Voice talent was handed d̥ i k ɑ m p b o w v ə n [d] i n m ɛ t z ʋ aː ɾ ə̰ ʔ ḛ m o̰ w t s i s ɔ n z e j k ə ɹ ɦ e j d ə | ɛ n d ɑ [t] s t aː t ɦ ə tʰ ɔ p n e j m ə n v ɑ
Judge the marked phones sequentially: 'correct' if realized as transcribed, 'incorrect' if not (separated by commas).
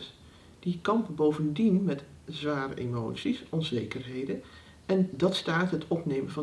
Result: correct, correct